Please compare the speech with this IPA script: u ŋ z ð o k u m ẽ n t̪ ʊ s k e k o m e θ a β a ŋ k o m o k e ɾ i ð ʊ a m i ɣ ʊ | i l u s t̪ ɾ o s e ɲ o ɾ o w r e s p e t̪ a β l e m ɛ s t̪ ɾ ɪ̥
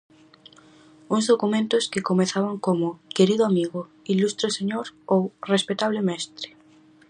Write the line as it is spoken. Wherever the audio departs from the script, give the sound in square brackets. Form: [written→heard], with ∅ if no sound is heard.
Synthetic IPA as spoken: u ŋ z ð o k u m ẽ n t̪ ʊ s k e k o m e θ a β a ŋ k o m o k e ɾ i ð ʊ a m i ɣ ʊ | i l u s t̪ ɾ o s e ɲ o ɾ o w r e s p e t̪ a β l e m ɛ s t̪ ɾ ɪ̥